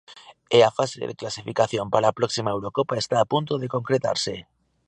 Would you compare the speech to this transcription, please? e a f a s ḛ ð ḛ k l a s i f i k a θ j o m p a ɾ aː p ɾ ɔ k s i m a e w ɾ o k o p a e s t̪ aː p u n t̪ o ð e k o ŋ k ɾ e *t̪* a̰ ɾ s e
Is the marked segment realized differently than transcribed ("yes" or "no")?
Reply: no